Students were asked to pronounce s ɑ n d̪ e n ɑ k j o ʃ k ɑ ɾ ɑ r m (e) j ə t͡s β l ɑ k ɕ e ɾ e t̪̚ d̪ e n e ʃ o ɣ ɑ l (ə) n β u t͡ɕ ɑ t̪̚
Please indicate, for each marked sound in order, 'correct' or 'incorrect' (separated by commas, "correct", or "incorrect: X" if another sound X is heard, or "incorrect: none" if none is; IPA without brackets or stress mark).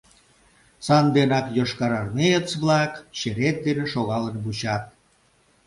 correct, correct